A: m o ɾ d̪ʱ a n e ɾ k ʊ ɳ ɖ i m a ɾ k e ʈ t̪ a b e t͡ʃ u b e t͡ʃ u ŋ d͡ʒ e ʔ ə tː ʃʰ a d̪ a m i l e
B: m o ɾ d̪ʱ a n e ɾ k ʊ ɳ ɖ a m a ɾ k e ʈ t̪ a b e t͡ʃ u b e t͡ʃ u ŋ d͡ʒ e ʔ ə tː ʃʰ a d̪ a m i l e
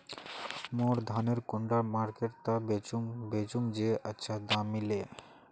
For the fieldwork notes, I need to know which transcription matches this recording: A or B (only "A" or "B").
B